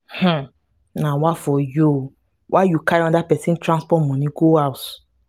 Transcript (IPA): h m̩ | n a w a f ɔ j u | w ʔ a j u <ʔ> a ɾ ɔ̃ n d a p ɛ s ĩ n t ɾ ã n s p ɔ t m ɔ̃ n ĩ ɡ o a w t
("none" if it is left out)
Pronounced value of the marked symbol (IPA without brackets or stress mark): k